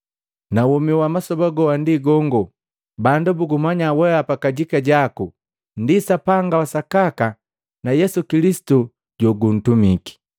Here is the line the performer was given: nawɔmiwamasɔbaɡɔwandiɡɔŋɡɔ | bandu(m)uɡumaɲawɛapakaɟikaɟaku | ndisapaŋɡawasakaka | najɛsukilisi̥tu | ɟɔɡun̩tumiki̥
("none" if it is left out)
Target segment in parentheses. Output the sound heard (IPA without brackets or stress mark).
b